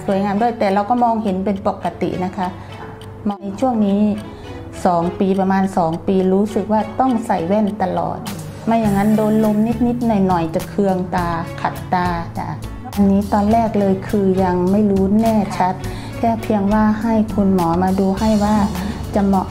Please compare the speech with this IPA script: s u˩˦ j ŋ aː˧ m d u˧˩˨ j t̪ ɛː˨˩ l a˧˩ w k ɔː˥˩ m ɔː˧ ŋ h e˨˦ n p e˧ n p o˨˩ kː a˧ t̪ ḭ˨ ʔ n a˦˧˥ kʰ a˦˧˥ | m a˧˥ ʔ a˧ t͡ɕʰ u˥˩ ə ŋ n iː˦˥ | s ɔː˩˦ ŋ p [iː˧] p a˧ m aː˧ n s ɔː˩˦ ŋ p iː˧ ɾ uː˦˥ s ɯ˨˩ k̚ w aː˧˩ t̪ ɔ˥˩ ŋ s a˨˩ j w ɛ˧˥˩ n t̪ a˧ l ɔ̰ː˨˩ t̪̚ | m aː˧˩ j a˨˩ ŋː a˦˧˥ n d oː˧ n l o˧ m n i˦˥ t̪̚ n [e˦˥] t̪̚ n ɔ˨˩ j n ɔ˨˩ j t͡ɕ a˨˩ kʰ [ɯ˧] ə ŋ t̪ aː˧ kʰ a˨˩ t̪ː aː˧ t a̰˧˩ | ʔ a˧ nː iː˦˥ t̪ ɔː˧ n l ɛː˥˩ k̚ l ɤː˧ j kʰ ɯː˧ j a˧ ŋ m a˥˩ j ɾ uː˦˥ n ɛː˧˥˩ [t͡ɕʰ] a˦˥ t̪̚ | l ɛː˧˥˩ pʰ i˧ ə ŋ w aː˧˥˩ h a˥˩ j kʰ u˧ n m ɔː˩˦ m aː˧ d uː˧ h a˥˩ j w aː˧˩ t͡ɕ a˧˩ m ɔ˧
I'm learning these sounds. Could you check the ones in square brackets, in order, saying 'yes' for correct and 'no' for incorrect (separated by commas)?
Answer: yes, no, yes, yes